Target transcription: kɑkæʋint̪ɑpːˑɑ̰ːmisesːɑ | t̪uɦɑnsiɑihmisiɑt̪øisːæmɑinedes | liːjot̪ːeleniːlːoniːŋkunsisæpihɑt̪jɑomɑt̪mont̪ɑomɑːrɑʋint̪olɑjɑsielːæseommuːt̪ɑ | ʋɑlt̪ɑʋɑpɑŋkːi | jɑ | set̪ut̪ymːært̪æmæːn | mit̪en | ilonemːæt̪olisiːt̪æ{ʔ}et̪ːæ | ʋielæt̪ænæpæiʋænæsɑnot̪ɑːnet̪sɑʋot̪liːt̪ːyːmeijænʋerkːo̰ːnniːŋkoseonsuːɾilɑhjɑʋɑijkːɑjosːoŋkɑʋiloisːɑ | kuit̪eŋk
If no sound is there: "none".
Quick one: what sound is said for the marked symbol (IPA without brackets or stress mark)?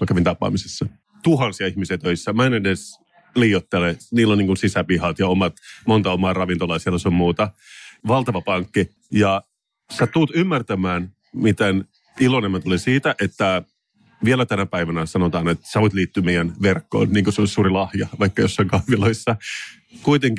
ʔ